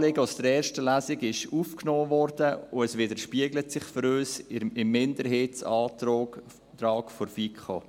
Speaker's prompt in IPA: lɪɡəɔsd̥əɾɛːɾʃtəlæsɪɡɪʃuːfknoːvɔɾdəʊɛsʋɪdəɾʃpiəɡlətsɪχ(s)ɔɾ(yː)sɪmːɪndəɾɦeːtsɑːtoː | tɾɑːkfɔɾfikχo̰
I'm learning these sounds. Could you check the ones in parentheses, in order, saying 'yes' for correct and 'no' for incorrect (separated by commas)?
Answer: no, no